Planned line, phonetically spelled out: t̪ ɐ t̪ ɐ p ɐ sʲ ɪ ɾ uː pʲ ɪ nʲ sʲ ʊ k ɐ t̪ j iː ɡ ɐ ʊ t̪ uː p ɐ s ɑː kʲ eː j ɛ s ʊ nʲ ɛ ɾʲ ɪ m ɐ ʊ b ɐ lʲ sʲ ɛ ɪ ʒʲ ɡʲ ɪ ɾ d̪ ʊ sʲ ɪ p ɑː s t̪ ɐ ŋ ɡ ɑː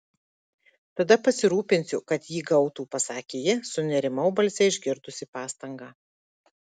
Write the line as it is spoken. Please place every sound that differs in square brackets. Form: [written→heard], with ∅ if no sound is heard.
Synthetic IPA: t̪ ɐ [t̪→d̪] ɐ p ɐ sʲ ɪ ɾ uː pʲ ɪ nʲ sʲ ʊ k ɐ t̪ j iː ɡ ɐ ʊ t̪ uː p ɐ s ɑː kʲ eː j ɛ s ʊ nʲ ɛ ɾʲ ɪ m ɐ ʊ b ɐ lʲ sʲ ɛ ɪ ʒʲ ɡʲ ɪ ɾ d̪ ʊ sʲ ɪ p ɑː s t̪ ɐ ŋ ɡ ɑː